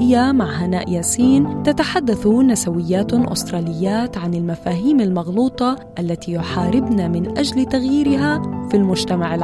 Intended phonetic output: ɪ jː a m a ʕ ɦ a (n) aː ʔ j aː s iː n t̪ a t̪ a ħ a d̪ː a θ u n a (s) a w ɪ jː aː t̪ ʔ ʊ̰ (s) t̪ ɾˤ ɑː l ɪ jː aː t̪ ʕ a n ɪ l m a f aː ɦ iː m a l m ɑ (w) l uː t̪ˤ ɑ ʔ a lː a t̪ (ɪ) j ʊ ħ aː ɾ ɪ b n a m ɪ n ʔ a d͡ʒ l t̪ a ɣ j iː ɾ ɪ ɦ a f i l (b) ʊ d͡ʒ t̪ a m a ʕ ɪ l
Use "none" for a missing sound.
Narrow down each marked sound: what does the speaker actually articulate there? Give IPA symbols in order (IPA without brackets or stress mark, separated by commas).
n, s, s, ɣ, i, m